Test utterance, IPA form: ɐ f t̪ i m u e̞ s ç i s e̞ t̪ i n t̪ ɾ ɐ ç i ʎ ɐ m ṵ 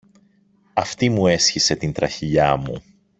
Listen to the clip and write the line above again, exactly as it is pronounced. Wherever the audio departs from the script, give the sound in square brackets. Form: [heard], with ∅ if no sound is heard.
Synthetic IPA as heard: ɐ f t̪ i m u e̞ s ç i s e̞ t̪ i n t̪ ɾ ɐ ç i ʎ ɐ m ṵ